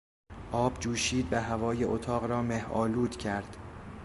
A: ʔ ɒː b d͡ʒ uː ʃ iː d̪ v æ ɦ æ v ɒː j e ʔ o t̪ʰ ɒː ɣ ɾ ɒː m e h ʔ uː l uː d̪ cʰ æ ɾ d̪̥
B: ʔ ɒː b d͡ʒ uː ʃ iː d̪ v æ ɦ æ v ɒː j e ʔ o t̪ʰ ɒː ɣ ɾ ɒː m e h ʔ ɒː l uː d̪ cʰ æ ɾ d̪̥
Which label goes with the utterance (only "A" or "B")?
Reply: B